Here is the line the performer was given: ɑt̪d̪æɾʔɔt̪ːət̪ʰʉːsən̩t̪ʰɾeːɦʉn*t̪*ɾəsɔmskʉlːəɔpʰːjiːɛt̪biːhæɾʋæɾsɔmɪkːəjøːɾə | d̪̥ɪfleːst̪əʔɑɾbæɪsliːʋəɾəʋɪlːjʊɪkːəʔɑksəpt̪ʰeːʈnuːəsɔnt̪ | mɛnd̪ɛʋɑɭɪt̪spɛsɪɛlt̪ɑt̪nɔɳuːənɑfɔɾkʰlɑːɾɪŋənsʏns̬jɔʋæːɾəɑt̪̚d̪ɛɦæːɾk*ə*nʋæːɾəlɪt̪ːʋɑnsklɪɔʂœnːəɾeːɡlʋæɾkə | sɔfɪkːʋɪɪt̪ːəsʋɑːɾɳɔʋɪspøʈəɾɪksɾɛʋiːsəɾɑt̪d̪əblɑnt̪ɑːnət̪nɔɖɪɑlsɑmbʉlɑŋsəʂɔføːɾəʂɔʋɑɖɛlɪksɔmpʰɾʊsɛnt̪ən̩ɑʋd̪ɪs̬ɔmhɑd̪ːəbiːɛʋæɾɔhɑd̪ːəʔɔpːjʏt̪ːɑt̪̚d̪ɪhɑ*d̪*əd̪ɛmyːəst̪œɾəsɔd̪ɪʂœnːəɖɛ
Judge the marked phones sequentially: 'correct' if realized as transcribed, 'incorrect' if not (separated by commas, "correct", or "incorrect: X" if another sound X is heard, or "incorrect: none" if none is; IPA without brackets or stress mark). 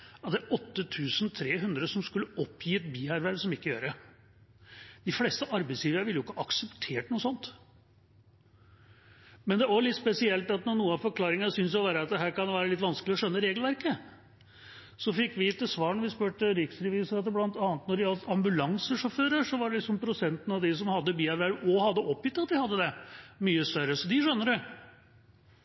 incorrect: d̪, incorrect: ɑ, incorrect: d̪ː